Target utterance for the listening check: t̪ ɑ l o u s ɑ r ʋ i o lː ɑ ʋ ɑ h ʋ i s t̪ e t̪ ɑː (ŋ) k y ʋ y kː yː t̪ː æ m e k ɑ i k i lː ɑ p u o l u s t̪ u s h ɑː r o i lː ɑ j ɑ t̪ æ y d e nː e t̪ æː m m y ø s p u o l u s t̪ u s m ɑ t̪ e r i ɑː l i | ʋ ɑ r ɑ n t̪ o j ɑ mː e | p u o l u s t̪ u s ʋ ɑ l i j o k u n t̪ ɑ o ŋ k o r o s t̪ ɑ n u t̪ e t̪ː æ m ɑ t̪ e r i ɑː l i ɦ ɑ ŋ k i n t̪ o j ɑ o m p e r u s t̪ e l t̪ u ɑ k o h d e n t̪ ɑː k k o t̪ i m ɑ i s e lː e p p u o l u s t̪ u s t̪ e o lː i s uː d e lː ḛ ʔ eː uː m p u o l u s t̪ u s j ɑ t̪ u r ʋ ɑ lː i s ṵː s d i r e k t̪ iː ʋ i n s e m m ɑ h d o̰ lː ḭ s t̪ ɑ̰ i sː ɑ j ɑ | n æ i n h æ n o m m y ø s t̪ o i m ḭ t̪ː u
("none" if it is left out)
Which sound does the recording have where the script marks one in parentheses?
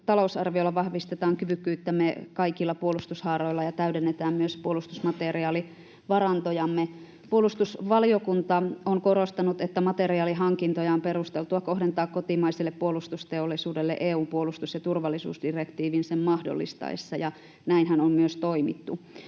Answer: ŋ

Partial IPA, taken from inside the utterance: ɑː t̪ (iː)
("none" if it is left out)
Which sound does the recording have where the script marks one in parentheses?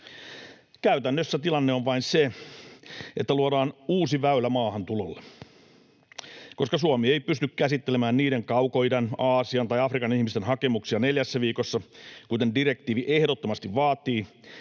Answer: iː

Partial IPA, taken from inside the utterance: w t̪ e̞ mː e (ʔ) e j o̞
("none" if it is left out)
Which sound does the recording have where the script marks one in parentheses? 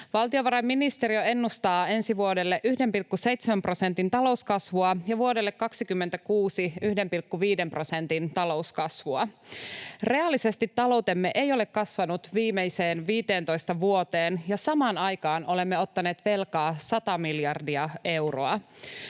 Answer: ʔ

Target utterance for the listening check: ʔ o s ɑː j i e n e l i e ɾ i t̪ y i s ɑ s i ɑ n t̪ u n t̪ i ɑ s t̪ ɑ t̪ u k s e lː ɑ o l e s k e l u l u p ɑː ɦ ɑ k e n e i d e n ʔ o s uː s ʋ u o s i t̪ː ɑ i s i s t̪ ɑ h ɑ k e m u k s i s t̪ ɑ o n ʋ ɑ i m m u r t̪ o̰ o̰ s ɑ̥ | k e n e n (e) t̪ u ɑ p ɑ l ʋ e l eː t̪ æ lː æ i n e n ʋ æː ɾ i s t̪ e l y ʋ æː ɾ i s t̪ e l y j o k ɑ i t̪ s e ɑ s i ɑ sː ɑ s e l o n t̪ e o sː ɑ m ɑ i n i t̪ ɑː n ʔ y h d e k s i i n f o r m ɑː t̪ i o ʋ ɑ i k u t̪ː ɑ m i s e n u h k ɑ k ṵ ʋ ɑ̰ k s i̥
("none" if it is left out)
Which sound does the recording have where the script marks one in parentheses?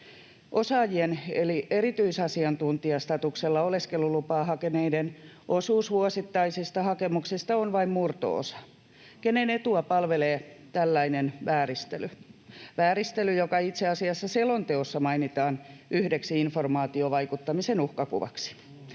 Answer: e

